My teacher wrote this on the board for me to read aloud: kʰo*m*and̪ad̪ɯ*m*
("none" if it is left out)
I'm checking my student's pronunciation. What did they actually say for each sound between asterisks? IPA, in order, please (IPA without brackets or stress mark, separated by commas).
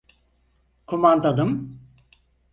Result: m, m